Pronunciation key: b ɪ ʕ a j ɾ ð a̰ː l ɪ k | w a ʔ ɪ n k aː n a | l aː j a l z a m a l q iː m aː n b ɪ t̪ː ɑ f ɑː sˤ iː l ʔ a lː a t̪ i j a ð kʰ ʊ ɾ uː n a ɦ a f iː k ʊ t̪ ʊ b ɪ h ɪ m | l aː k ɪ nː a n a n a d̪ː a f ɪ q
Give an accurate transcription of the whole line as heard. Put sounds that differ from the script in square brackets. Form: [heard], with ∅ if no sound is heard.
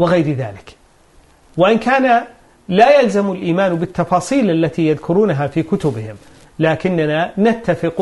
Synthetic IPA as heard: [w] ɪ [ɣ] a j ɾ ð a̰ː l ɪ k | w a ʔ ɪ n k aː n a | l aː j a l z a m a l [ʔ] iː m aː n b ɪ t̪ː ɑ f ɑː sˤ iː l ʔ a lː a t̪ i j a ð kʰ ʊ ɾ uː n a ɦ a f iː k ʊ t̪ ʊ b ɪ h ɪ m | l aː k ɪ nː a n a n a [t̪ː] a f ɪ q